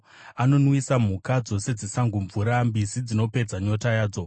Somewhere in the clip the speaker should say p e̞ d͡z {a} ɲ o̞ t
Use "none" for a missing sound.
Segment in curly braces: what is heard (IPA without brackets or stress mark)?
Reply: a